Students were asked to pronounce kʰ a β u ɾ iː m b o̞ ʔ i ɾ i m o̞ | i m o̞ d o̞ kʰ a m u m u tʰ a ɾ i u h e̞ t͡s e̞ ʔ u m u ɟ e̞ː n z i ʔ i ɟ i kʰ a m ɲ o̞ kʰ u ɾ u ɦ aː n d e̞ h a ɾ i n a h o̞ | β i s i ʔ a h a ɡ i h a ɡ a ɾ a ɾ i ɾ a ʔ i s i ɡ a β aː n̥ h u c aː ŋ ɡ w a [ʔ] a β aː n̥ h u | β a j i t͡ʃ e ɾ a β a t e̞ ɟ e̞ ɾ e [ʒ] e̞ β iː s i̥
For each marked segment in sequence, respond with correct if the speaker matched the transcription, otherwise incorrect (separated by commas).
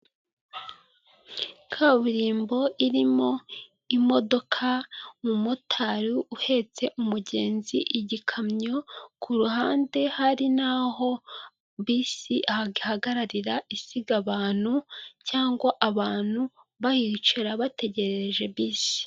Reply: correct, correct